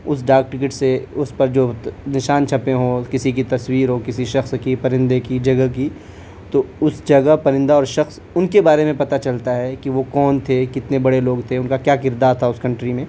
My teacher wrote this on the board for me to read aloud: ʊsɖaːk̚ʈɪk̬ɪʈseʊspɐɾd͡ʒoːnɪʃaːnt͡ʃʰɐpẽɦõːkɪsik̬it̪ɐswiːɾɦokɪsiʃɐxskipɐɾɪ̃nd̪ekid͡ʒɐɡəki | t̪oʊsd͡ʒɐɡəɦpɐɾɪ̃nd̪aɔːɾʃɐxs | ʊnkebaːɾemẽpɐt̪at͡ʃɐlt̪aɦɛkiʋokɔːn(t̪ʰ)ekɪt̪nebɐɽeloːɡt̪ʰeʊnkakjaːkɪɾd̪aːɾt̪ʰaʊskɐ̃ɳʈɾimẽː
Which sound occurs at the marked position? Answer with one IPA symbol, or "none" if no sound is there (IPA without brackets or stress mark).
t̪ʰ